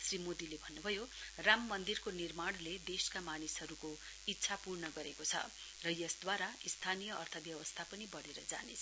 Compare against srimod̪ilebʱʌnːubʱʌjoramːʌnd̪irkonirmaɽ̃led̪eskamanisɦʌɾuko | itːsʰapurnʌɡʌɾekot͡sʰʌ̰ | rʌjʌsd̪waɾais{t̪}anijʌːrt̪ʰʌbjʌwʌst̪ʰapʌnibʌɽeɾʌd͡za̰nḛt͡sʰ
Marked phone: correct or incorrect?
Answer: incorrect